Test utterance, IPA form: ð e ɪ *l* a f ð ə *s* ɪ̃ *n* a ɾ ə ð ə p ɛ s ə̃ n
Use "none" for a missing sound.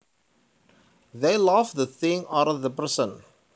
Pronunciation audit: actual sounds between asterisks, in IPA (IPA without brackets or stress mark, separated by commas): l, θ, ŋ